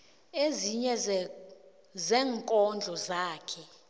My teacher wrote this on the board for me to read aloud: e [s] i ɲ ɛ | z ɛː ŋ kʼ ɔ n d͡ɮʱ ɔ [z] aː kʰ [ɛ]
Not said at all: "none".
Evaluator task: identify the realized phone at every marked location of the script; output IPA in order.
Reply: z, z, ɛ

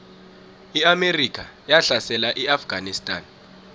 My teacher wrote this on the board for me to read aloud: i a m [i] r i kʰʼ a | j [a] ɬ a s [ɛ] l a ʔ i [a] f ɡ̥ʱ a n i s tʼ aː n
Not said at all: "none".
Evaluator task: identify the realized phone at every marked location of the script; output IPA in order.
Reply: e, a, ɛ, a

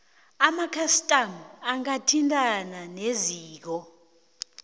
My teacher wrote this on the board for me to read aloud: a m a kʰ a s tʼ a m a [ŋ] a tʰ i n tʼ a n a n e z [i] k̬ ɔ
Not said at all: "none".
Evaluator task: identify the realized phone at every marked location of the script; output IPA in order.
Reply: ŋ, iː

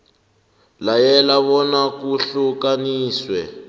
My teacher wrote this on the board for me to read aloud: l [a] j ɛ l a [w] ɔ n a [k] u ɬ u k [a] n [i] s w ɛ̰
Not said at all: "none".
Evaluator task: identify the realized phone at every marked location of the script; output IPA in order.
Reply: a, β, k, a, iː

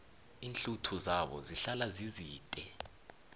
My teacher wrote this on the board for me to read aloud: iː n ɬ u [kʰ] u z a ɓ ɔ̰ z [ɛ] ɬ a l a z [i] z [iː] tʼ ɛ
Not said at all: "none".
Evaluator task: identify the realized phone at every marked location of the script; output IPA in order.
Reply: tʰ, i, i, iː

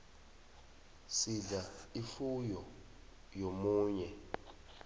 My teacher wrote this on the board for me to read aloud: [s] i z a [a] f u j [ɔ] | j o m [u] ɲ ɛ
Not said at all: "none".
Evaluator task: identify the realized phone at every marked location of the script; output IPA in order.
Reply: s, i, ɔ, uː

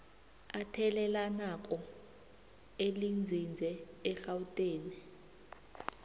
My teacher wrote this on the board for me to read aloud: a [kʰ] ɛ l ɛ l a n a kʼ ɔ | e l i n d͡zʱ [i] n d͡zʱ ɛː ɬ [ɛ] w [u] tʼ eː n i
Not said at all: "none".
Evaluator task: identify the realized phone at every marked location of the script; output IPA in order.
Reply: tʰ, i, a, u

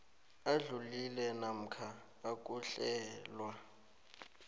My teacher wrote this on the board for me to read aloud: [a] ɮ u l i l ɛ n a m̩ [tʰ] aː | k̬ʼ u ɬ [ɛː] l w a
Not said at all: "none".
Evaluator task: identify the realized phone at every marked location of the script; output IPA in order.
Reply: a, kʰ, ɛː

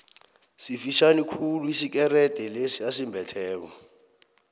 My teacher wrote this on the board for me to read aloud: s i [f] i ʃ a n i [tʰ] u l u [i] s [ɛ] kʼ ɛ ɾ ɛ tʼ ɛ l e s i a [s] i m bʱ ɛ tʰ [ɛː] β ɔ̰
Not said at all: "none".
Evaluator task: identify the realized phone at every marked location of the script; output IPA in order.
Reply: f, kʰ, i, i, s, ɛː

